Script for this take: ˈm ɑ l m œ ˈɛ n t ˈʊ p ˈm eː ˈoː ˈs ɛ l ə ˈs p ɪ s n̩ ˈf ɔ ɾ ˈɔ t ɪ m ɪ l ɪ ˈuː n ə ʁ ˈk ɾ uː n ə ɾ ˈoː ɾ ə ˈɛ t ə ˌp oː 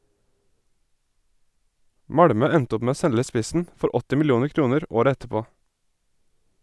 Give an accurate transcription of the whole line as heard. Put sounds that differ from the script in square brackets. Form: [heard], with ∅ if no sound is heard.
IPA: ˈm ɑ [ɽ] m œ ˈɛ n t ˈʊ p ˈm eː ˈoː ˈs ɛ l ə ˈs p ɪ s n̩ ˈf ɔ ɾ ˈɔ t ɪ m ɪ l ɪ ˈuː n ə ʁ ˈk ɾ uː n ə ɾ ˈoː ɾ ə ˈɛ t ə ˌp oː